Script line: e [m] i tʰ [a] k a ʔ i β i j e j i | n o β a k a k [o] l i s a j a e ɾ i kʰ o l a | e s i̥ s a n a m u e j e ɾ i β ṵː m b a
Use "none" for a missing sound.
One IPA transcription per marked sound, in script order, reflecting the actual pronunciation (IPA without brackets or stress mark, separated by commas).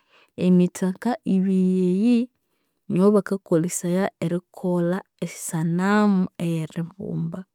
m, a, o